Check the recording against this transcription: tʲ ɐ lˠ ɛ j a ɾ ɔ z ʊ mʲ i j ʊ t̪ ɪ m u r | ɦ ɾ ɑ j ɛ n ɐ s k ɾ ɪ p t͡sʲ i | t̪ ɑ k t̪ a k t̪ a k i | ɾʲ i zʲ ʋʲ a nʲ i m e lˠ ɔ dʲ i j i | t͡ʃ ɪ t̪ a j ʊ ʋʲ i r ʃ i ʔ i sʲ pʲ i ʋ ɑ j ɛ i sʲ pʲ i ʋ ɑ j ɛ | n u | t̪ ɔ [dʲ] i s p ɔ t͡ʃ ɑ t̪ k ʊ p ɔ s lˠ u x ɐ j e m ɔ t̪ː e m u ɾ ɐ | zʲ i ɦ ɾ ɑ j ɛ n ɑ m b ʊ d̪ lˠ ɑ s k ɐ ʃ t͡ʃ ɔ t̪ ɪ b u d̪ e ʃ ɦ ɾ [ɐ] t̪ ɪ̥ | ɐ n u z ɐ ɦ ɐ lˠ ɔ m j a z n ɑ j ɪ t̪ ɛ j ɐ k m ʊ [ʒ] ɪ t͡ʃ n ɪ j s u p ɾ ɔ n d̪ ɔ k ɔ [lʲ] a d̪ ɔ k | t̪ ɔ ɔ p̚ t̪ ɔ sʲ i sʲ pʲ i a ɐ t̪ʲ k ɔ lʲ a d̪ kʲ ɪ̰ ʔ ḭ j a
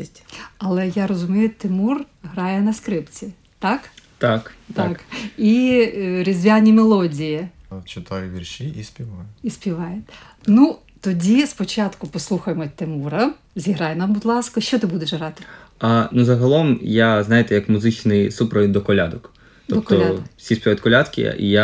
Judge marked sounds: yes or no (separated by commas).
yes, no, no, yes